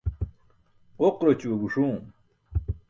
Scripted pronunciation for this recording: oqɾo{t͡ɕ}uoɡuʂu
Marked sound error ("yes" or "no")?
no